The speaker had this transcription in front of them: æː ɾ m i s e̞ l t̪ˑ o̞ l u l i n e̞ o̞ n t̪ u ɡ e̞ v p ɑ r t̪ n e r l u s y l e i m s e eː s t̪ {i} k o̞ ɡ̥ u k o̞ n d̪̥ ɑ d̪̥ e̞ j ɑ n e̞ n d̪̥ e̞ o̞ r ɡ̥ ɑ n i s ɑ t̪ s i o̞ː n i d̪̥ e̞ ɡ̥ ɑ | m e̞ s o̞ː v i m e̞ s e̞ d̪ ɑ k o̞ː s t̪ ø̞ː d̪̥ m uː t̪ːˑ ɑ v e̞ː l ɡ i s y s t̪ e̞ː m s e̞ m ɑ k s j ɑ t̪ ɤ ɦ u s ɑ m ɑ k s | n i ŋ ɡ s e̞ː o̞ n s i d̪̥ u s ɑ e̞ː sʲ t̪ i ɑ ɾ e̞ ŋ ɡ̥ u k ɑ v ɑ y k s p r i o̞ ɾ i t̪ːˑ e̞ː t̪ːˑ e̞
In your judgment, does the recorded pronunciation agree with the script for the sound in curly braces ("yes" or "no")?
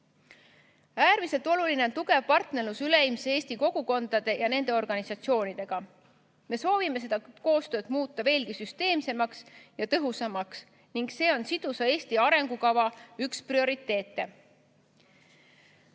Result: yes